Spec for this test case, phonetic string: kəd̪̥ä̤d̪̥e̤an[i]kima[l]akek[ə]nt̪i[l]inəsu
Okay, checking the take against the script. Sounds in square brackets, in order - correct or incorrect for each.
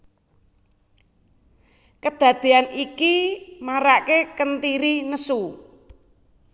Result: correct, incorrect: ɾ, correct, incorrect: ɾ

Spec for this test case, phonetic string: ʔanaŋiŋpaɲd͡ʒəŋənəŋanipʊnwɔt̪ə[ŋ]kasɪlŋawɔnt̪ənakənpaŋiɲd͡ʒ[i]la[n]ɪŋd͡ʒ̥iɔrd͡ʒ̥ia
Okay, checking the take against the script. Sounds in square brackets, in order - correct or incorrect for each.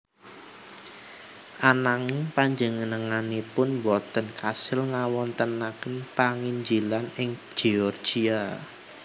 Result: incorrect: n, correct, correct

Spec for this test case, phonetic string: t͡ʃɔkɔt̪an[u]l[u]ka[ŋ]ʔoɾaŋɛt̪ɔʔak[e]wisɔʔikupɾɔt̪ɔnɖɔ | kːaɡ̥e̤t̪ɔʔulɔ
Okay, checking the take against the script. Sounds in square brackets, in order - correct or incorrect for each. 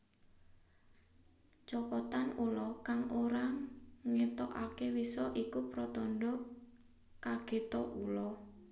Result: correct, incorrect: ɔ, correct, correct

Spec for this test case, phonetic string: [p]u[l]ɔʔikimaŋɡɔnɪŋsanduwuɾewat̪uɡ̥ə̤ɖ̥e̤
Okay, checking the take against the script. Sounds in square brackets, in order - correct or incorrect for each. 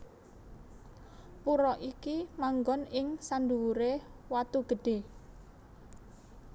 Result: correct, incorrect: ɾ

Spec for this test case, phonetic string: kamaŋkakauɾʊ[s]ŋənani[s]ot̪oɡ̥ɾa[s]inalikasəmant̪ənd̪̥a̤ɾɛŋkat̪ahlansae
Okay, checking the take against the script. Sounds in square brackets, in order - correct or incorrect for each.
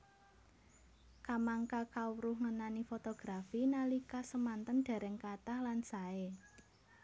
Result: incorrect: h, incorrect: f, incorrect: f

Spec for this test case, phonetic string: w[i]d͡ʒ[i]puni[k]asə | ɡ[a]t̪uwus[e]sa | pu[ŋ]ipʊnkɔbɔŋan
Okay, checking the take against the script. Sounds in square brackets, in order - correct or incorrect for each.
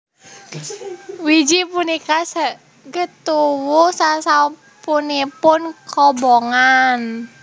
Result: correct, correct, correct, incorrect: ə, incorrect: a, incorrect: n

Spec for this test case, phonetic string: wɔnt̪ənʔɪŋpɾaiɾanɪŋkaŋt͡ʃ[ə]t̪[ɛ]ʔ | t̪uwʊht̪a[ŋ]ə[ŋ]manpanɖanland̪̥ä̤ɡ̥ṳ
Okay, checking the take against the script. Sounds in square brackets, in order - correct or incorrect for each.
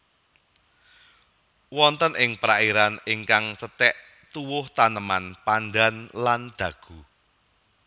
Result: correct, correct, incorrect: n, incorrect: none

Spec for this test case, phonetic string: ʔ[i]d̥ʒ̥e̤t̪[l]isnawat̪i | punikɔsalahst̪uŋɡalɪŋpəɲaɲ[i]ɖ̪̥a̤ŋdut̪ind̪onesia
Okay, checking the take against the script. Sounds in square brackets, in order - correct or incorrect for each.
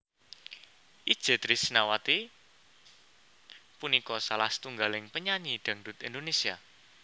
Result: correct, incorrect: ɾ, correct

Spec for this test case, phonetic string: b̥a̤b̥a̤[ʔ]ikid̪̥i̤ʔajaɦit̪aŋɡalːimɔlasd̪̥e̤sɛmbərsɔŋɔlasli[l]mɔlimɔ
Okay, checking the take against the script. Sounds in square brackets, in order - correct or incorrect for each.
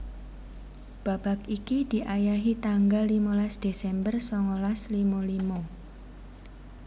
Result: incorrect: k, incorrect: none

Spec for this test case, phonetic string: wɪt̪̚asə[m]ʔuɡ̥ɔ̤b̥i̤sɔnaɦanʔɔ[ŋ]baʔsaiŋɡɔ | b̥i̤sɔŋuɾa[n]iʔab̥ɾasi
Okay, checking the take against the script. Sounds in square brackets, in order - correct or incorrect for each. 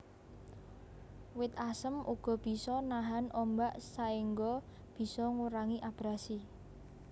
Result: correct, incorrect: m, incorrect: ŋ

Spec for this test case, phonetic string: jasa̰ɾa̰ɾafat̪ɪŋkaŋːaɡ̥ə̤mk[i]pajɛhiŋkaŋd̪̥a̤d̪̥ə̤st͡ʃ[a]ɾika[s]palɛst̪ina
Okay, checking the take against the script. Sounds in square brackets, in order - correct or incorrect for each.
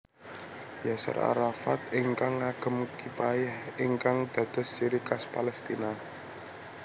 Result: correct, incorrect: i, correct

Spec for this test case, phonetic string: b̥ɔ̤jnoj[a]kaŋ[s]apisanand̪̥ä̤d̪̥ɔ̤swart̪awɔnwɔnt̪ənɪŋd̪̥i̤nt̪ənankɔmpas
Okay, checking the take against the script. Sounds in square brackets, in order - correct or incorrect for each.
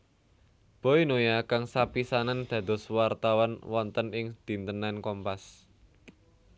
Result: correct, correct

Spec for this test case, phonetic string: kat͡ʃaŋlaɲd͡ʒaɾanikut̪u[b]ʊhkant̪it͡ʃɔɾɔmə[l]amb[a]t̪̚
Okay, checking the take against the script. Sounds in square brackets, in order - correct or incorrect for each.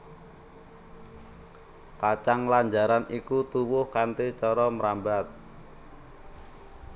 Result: incorrect: w, incorrect: ɾ, correct

